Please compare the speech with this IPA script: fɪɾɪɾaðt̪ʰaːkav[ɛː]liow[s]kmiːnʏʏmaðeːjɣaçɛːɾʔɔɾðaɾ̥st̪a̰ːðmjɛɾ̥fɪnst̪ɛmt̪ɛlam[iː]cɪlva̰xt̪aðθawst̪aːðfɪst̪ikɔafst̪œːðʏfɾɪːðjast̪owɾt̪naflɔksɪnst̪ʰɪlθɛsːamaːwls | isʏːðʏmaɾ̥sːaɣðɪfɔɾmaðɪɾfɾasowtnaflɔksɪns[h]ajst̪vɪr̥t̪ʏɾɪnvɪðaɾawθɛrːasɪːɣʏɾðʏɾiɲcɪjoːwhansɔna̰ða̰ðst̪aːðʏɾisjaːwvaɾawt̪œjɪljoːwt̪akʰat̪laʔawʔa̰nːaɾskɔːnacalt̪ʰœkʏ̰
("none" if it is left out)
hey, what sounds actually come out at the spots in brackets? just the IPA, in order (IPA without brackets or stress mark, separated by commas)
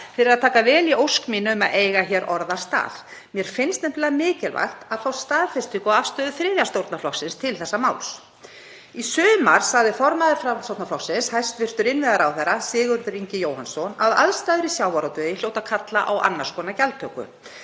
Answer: ɛː, s, ɪː, h